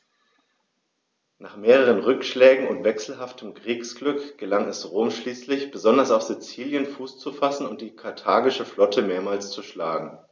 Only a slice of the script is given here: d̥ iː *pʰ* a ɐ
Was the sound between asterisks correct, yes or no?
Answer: no